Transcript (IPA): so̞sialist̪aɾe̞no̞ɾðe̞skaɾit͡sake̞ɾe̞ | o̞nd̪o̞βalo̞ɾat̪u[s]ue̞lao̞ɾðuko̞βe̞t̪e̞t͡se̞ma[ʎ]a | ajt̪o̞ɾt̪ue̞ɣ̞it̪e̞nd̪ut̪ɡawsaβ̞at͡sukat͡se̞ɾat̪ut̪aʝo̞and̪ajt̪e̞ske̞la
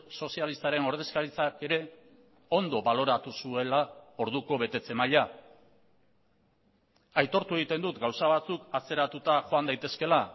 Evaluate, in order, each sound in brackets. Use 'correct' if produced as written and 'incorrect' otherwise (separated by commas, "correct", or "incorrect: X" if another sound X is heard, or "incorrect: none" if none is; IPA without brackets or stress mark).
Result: correct, correct